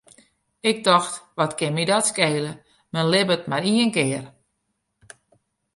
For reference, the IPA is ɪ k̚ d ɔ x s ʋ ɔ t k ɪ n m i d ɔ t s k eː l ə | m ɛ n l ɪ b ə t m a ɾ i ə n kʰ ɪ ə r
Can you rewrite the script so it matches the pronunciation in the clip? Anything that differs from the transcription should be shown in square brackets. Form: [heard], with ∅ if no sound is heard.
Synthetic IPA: ɪ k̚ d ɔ x [t] ʋ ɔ t k ɪ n m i d ɔ t s k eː l ə | m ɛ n l ɪ b ə t m a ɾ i ə n [k] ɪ ə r